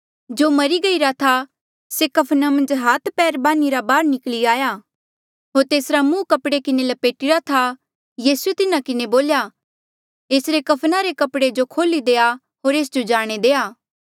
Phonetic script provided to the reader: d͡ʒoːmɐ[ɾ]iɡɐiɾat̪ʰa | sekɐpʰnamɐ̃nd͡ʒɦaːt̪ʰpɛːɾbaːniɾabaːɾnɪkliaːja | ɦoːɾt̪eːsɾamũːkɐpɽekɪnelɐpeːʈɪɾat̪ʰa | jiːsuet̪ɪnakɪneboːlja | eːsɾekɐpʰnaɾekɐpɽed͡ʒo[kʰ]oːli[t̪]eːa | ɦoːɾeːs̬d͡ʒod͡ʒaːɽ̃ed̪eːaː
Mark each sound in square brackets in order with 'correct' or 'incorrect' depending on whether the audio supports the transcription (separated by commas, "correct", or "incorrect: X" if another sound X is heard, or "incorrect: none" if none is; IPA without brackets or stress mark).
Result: correct, correct, incorrect: d̪